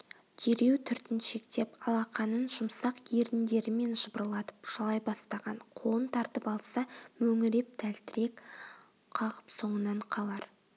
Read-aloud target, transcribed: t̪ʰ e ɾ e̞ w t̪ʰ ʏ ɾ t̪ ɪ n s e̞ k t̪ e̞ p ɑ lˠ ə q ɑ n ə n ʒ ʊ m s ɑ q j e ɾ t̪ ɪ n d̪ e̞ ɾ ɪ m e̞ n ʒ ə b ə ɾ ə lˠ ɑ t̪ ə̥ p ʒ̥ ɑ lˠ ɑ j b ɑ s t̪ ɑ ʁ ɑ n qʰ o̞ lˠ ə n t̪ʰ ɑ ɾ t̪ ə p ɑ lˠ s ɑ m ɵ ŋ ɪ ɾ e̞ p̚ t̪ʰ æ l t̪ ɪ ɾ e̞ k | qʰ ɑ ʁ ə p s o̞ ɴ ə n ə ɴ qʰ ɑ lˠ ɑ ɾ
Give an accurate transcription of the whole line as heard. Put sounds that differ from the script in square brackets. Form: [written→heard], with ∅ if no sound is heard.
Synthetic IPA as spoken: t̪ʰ e ɾ e̞ w t̪ʰ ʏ ɾ t̪ ɪ n [s→ʃ] e̞ k t̪ e̞ p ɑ lˠ [ə→ɑ] q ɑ n ə n ʒ ʊ m s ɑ q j e ɾ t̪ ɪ n d̪ e̞ ɾ ɪ m e̞ n ʒ ə b ə ɾ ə lˠ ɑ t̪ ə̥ p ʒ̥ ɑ lˠ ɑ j b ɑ s t̪ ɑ ʁ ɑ n qʰ o̞ lˠ ə n t̪ʰ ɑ ɾ t̪ ə p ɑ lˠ s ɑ m ɵ ŋ ɪ ɾ e̞ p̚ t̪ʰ æ l t̪ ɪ ɾ e̞ k | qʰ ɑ ʁ ə p s o̞ ɴ ə n [ə→ɑ] ɴ qʰ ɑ lˠ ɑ ɾ